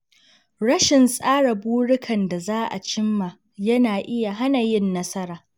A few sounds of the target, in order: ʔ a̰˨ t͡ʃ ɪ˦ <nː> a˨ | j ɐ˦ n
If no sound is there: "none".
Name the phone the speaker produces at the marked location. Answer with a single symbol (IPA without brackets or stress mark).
mː